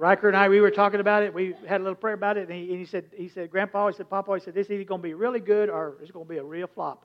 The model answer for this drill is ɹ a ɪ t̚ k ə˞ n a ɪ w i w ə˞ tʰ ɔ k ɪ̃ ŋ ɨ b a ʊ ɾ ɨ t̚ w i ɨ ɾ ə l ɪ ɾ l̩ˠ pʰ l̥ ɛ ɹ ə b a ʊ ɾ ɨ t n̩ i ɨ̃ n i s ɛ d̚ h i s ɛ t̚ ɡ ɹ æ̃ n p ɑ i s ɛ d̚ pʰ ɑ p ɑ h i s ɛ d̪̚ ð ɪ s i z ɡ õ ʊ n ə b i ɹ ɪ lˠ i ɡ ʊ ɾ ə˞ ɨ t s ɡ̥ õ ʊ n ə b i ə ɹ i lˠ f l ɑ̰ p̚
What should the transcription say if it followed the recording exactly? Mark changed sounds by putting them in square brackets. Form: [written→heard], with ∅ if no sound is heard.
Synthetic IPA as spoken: ɹ a ɪ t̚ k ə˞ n a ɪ w i w ə˞ tʰ ɔ k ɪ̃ ŋ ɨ b a ʊ ɾ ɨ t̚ w i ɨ ɾ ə l ɪ ɾ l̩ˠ pʰ [l̥→ɹ̥] ɛ ɹ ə b a ʊ ɾ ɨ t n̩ i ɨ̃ n i s ɛ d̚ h i s ɛ [t̚→d̚] ɡ ɹ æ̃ n p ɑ i s ɛ d̚ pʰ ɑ p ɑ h i s ɛ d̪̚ ð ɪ s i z ɡ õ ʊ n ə b i ɹ ɪ lˠ i ɡ ʊ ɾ ə˞ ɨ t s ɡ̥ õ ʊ n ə b i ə ɹ i lˠ f l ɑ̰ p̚